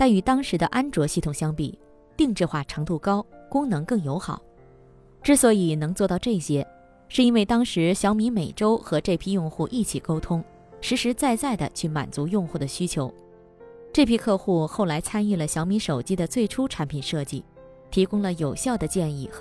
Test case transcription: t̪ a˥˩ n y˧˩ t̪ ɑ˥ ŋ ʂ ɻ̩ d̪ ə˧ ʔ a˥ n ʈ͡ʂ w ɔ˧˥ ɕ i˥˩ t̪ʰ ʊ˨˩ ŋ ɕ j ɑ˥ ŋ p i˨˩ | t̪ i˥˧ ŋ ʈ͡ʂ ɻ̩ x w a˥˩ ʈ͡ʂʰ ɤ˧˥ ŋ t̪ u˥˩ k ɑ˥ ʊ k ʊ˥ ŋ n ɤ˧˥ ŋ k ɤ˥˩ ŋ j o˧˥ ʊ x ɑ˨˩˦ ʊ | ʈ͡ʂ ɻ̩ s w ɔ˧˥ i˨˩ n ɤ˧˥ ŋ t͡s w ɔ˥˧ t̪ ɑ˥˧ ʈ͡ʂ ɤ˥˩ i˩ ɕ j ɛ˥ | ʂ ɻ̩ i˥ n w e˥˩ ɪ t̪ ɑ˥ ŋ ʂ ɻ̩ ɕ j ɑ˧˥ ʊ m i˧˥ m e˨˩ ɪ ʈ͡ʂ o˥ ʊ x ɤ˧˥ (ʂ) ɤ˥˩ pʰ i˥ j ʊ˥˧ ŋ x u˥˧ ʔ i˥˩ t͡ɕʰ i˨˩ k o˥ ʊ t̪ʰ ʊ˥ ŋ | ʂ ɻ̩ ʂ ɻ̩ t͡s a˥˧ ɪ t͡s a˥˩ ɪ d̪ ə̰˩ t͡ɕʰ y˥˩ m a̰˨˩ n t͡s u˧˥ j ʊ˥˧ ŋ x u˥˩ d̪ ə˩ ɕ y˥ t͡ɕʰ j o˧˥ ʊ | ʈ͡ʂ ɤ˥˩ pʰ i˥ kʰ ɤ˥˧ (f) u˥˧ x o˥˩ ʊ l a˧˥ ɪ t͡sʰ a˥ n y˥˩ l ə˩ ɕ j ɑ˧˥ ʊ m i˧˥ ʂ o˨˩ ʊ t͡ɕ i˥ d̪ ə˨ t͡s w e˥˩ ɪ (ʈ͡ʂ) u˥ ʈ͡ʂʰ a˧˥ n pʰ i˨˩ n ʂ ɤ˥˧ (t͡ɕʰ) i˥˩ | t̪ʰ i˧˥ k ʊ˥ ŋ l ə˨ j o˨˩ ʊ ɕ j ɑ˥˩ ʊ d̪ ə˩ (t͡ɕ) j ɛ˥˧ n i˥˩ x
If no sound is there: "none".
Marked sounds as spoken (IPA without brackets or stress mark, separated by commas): ʈ͡ʂ, x, ʈ͡ʂʰ, t͡ɕ, t͡ɕ